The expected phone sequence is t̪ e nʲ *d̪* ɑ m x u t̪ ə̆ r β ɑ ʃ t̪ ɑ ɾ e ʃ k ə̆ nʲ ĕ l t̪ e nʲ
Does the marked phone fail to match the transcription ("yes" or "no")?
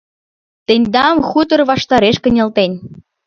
no